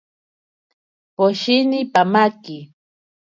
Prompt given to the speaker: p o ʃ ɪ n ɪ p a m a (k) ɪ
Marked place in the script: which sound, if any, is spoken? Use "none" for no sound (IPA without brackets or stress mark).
k